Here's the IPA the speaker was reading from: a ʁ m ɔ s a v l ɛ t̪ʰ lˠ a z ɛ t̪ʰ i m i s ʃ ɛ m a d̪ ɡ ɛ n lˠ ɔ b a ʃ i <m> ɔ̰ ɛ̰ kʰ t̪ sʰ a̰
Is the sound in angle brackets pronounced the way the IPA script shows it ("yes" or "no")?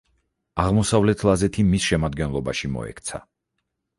yes